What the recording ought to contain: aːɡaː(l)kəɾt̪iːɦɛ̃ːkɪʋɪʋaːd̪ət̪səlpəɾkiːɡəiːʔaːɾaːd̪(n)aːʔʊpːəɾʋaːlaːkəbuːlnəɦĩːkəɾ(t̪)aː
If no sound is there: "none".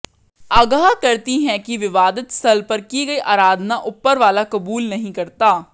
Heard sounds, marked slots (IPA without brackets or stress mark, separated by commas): none, n, t̪